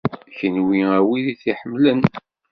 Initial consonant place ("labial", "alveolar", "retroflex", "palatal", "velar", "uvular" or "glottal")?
palatal